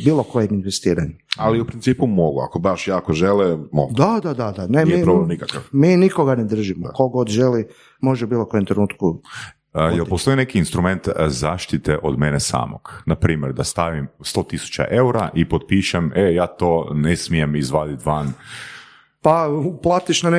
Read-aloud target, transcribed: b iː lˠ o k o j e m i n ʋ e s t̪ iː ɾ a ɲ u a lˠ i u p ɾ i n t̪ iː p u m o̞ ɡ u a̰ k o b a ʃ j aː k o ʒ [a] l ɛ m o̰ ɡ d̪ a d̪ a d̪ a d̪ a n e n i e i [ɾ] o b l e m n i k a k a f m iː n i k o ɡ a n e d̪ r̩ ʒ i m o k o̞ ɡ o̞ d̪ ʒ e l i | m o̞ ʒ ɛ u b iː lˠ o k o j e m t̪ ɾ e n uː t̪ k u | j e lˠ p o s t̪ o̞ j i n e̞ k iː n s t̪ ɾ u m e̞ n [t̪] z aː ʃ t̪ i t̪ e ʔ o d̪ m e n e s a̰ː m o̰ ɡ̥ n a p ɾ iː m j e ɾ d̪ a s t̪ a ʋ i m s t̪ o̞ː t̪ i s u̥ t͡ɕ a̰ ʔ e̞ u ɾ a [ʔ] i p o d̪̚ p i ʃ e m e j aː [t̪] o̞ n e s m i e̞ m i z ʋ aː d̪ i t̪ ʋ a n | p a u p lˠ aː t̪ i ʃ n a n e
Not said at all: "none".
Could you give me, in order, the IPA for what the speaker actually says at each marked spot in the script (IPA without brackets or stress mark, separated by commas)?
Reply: e, ɾ, t̪, ʔ, t̪